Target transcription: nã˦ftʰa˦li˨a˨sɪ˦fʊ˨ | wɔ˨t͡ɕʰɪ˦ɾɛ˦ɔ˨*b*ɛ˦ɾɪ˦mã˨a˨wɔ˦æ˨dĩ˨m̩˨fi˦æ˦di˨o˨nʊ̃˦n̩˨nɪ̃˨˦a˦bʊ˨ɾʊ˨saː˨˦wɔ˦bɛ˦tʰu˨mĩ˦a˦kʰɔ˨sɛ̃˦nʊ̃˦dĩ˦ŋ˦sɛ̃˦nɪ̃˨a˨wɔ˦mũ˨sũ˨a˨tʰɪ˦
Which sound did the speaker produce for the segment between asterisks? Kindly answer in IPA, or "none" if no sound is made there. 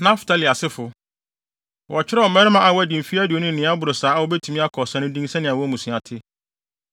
m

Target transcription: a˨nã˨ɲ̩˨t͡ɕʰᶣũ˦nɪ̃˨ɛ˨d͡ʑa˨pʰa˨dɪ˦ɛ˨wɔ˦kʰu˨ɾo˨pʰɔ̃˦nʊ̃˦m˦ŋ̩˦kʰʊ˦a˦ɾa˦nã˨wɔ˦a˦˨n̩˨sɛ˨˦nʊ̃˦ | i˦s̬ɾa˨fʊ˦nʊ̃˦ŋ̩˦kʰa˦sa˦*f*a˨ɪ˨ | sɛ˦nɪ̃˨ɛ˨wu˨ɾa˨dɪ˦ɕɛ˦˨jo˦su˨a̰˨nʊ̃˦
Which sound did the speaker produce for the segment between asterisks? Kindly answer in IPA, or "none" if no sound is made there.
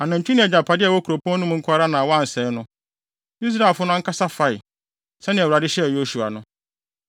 f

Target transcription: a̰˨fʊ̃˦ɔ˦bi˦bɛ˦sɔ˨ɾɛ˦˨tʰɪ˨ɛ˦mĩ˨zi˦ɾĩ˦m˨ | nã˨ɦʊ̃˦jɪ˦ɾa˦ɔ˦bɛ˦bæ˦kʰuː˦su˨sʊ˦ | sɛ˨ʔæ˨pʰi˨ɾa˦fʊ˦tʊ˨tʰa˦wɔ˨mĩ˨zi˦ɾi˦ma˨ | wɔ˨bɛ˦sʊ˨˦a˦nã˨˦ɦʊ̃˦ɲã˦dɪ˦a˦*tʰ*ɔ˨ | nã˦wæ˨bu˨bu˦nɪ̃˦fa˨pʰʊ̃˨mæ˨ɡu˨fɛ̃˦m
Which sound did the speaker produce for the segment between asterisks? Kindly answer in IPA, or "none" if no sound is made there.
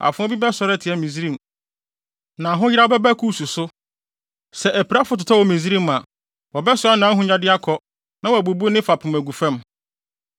kʰ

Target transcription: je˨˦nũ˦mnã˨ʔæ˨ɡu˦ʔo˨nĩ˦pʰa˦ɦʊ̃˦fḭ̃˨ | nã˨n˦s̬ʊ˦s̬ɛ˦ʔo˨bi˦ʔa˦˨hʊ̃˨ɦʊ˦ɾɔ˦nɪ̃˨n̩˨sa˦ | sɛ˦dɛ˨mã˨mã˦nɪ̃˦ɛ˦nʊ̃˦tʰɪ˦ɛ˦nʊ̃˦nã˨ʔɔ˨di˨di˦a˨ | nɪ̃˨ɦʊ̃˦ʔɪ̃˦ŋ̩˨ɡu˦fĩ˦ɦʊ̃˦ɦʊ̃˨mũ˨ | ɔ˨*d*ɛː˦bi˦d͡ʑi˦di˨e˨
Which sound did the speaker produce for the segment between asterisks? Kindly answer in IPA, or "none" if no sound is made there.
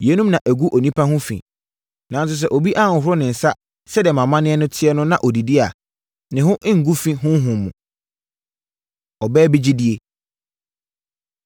b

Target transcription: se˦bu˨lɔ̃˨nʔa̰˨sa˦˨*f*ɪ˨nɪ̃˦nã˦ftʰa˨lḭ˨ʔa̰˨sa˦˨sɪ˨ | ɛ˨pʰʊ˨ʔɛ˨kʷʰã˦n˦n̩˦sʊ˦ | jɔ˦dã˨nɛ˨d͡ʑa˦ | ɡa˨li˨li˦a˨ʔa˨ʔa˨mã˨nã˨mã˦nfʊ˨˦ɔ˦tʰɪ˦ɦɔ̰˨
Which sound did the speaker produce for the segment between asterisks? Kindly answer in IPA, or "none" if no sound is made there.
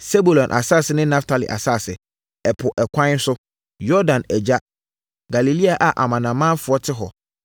s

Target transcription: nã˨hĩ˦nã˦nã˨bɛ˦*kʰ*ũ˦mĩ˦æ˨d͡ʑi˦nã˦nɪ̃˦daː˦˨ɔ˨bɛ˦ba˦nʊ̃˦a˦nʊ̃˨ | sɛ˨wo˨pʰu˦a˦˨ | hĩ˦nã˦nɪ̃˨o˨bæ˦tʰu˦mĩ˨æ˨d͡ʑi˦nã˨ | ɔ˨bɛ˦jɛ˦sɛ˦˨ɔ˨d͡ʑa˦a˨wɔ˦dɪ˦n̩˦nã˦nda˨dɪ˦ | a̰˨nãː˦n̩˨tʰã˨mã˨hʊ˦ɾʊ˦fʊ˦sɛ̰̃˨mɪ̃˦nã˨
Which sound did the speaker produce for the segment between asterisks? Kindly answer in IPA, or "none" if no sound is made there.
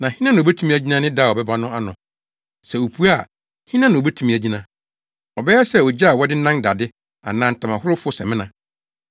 tʰ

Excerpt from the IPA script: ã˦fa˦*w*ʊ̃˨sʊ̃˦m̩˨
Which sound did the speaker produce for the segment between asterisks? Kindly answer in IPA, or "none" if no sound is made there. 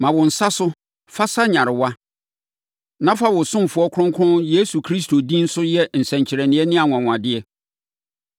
w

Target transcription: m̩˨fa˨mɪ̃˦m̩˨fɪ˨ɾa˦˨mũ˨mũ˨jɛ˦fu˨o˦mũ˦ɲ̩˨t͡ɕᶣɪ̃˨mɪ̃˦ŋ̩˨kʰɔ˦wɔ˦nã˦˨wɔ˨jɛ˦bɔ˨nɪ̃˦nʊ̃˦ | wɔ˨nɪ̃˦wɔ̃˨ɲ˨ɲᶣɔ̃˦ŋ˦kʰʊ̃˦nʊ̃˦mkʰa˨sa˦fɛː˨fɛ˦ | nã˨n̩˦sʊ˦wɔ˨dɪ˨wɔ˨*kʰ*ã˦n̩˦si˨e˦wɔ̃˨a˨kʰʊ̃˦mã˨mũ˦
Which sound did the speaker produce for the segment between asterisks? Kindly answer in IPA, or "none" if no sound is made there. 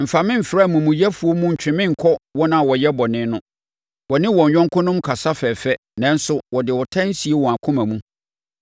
tʰ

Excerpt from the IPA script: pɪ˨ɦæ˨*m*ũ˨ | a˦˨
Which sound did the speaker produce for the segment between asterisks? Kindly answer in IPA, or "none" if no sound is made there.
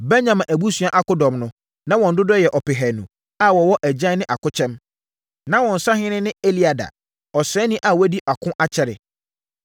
n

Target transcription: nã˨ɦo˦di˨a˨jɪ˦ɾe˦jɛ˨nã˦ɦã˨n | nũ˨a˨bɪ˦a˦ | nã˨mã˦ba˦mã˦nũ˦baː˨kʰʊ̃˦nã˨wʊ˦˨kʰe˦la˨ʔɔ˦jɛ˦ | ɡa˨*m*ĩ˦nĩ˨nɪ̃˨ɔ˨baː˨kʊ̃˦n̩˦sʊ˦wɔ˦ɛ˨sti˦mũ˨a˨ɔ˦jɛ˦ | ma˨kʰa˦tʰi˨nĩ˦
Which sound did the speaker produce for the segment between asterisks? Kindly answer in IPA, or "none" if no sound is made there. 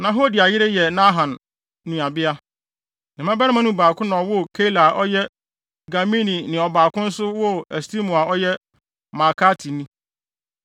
m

